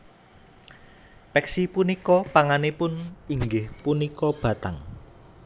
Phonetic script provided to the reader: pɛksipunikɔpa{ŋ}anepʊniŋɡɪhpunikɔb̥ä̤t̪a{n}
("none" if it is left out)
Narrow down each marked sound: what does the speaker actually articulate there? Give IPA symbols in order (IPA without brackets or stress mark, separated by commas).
ŋ, ŋ